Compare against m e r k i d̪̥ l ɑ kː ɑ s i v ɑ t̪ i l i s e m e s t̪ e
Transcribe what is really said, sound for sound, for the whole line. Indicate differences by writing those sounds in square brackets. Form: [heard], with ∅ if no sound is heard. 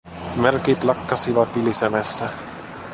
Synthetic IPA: m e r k i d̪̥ l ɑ kː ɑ s i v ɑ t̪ i l i s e m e s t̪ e

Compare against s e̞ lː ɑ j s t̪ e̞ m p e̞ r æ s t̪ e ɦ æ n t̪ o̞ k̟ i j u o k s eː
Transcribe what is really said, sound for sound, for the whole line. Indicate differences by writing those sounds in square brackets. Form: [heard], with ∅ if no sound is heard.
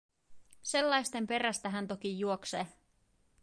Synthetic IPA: s e̞ lː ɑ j s t̪ e̞ m p e̞ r æ s t̪ [æ] ɦ æ n t̪ o̞ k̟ i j u o k s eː

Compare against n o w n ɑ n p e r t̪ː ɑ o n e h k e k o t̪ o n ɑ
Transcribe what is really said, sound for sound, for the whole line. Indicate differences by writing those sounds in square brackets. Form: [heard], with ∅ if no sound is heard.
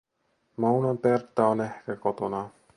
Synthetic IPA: [m] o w n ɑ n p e r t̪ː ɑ o n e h k [æ] k o t̪ o n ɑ

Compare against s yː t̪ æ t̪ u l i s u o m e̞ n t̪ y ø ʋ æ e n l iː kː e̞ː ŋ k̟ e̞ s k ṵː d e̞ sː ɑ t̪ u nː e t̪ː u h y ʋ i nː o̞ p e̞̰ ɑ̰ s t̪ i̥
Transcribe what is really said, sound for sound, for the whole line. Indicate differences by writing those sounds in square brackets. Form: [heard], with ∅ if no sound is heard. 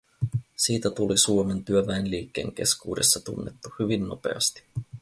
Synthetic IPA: s [iː] t̪ æ t̪ u l i s u o m e̞ n t̪ y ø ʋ æ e n l iː kː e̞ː ŋ k̟ e̞ s k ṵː d e̞ sː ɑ t̪ u nː e t̪ː u h y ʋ i nː o̞ p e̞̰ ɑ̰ s t̪ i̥

